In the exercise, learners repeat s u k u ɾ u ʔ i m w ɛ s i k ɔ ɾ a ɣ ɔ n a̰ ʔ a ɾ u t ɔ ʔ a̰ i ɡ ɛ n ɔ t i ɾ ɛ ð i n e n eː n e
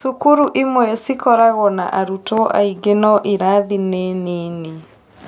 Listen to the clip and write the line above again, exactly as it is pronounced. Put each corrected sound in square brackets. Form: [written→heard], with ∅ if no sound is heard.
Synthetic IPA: s u k u ɾ u ʔ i m w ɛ s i k ɔ ɾ a ɣ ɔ n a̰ ʔ a ɾ u t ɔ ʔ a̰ i ɡ [ɛ→e] n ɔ [t→ʔ] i ɾ [ɛ→a] ð i n e n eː n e